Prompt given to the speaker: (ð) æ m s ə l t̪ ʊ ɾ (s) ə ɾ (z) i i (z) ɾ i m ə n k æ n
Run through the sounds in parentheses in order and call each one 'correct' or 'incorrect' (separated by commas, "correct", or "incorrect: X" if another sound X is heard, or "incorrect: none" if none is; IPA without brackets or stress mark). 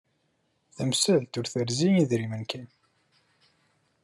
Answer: incorrect: θ, incorrect: θ, correct, incorrect: ð